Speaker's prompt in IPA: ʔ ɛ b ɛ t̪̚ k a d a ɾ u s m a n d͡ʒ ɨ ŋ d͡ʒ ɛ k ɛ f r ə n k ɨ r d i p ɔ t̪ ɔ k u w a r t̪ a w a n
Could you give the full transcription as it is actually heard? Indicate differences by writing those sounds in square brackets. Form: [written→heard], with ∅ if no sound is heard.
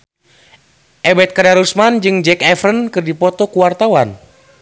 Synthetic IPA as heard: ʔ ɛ b ɛ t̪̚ k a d a ɾ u s m a n d͡ʒ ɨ ŋ d͡ʒ ɛ k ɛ f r ə n k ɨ r d i p ɔ t̪ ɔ k u w a r t̪ a w a n